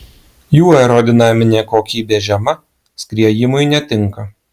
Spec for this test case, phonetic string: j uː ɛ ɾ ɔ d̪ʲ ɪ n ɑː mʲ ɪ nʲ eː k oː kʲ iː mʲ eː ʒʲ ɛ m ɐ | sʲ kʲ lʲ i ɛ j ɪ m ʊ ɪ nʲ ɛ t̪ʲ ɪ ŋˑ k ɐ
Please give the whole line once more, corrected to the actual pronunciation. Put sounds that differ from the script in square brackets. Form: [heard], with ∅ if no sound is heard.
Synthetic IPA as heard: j uː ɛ ɾ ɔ d̪ʲ ɪ n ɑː mʲ ɪ nʲ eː k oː kʲ iː [bʲ] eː ʒʲ ɛ m ɐ | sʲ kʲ [ɾʲ] i ɛ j ɪ m ʊ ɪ nʲ ɛ t̪ʲ ɪ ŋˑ k ɐ